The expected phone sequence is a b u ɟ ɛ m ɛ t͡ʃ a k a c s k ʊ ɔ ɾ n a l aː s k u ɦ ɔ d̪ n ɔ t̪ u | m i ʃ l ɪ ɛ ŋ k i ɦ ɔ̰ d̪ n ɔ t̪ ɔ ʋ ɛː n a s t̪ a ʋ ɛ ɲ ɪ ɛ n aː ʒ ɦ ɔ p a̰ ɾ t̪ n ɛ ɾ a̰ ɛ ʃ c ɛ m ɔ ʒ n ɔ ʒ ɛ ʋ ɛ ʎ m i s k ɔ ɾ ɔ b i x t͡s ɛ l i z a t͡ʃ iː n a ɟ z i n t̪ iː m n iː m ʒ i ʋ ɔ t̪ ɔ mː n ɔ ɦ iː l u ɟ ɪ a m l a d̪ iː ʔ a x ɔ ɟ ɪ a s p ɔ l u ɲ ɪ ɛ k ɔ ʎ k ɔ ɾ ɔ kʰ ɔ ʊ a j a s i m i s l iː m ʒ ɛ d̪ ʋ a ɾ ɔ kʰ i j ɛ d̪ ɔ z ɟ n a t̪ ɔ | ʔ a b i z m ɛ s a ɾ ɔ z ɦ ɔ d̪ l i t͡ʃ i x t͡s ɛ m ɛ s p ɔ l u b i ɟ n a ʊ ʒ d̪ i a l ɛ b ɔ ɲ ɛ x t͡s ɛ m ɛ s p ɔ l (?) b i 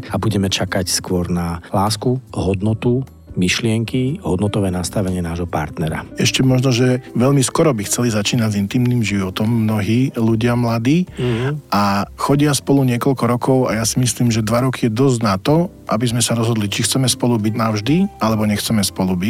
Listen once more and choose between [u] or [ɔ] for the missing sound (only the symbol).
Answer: u